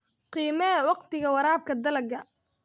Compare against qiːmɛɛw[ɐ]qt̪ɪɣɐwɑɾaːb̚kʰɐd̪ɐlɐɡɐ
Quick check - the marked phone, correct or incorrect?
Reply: incorrect